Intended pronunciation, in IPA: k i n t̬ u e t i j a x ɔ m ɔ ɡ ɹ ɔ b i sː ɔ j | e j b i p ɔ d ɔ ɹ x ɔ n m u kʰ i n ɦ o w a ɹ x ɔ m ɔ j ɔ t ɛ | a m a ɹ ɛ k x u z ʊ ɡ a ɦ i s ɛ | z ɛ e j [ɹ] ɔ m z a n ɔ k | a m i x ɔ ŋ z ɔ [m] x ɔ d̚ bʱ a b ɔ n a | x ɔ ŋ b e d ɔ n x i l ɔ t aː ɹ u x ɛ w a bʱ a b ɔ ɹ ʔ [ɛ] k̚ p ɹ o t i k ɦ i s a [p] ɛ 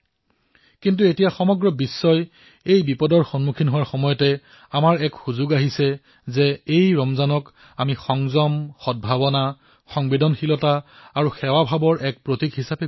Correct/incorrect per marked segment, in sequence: correct, correct, correct, correct

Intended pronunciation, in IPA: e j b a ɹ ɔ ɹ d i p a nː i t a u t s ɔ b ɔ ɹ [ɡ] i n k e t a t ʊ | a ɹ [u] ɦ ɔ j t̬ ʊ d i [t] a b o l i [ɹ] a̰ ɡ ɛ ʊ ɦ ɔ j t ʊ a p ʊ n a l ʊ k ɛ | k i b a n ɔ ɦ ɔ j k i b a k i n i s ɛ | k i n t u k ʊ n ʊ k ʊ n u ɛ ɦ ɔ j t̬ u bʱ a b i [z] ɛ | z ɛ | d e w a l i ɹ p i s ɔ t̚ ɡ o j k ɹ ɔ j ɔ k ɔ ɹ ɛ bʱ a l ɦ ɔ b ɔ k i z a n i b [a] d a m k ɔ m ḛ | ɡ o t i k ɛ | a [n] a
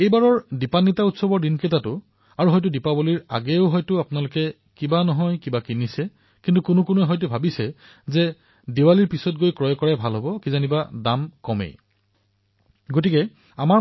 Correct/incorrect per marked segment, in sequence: incorrect, correct, incorrect, correct, incorrect, correct, incorrect

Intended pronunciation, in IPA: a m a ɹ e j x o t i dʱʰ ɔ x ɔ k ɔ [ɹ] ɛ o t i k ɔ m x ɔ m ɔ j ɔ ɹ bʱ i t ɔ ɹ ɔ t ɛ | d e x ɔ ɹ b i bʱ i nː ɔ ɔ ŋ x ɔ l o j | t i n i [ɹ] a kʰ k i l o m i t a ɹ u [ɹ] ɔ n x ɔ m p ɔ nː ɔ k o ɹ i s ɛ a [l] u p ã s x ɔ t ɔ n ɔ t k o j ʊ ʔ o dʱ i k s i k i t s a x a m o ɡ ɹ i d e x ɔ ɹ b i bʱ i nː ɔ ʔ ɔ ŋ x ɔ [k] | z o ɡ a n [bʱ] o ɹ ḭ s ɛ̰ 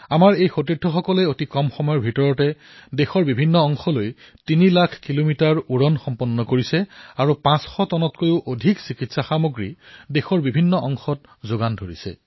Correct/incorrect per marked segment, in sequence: incorrect, incorrect, correct, incorrect, incorrect, incorrect

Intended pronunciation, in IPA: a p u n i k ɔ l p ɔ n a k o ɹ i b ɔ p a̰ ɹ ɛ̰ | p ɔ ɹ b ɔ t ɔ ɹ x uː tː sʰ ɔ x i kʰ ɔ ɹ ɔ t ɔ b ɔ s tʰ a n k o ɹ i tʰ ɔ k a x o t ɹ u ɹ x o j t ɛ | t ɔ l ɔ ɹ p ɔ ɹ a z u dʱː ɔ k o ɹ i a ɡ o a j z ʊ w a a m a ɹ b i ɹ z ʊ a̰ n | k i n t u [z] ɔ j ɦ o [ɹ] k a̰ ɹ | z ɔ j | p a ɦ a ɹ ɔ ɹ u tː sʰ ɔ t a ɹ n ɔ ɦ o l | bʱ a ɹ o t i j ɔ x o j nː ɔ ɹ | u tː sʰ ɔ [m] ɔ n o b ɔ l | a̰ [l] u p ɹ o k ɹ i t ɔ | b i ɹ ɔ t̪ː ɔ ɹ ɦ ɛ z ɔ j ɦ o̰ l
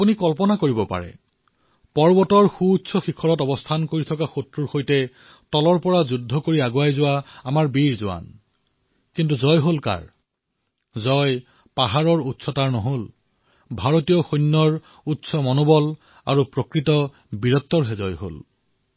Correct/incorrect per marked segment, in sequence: correct, incorrect, correct, incorrect

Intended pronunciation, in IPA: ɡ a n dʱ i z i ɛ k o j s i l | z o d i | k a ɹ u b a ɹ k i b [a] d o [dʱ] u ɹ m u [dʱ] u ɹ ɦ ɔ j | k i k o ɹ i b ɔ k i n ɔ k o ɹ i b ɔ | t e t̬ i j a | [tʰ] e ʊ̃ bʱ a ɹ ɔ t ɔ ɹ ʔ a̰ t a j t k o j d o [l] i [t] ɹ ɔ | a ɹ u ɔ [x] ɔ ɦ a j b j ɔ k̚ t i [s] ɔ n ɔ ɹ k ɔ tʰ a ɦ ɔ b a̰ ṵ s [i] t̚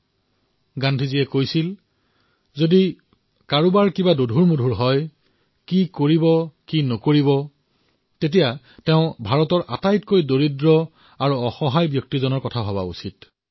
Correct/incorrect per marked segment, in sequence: correct, correct, correct, incorrect, incorrect, incorrect, correct, incorrect, correct

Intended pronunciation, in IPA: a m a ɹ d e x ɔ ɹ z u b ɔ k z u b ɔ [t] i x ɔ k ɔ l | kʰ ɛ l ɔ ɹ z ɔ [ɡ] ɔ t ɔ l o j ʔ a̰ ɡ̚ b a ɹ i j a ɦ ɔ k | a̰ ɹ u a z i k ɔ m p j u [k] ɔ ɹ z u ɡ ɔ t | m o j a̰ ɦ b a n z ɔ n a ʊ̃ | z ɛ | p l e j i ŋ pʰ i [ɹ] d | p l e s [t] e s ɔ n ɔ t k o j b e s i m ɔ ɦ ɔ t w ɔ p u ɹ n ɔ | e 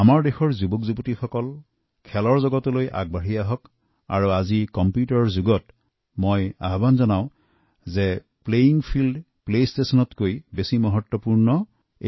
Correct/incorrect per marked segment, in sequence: correct, correct, incorrect, incorrect, correct

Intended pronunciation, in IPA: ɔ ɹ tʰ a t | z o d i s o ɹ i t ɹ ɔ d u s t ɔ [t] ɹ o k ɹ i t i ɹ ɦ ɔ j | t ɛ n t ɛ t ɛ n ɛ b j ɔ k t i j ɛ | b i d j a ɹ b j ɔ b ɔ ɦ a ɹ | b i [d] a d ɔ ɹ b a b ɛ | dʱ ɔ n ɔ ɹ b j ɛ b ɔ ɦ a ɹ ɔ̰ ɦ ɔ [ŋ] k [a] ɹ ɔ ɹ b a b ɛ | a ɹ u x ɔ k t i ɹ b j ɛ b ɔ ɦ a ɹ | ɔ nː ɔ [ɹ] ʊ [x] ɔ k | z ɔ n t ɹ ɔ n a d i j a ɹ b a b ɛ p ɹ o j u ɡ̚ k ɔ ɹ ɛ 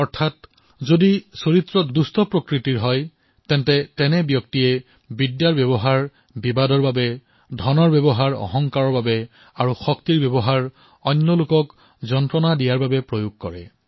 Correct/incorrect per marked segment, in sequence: incorrect, incorrect, correct, correct, incorrect, incorrect

